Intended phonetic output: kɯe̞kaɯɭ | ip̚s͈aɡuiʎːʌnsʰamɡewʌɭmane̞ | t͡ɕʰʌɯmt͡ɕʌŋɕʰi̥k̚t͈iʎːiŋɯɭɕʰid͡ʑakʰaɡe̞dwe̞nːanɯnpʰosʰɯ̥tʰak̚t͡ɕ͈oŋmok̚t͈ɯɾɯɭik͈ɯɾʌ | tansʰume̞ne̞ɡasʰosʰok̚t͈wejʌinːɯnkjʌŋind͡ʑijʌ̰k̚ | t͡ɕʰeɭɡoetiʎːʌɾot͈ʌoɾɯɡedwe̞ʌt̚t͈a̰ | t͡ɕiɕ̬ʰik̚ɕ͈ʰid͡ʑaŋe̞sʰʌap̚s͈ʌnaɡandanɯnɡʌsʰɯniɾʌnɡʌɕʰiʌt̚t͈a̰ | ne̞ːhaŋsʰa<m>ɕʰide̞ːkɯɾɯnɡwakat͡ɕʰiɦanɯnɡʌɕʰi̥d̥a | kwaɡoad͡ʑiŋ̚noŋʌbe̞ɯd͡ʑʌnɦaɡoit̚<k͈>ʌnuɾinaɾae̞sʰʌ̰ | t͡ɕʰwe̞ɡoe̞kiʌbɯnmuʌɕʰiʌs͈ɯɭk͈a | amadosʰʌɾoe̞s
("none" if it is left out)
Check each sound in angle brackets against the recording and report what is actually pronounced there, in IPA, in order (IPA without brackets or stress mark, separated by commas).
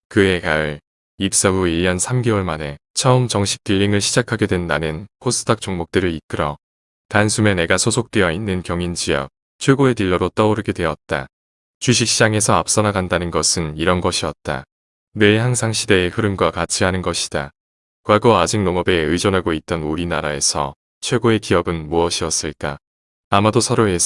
ŋ, t͈